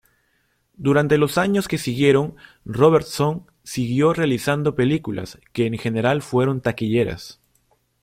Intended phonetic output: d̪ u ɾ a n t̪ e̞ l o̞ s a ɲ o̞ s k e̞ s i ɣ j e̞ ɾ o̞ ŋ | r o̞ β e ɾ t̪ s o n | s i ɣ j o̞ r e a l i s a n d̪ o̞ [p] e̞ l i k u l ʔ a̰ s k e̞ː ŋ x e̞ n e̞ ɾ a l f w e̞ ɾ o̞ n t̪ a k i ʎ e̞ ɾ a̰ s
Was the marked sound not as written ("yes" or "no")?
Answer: no